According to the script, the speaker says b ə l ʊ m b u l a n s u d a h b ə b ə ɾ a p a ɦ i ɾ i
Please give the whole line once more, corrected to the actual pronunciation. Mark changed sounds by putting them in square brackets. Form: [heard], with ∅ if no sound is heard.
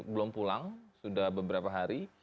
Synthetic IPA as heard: b ə l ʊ m [p] u l a [ŋ] s u d a h b ə b ə ɾ a p a ɦ [a] ɾ i